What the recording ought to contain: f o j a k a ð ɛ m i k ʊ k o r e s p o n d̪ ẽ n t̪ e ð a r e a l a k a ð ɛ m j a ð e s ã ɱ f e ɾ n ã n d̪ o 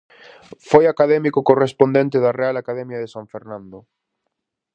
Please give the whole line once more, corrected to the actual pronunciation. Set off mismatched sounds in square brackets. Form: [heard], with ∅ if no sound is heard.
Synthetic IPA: f o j a k a ð ɛ m i k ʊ k o r e s p o n d̪ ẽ n t̪ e ð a r e a l a k a ð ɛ m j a ð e s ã ɱ f e ɾ n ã n d̪ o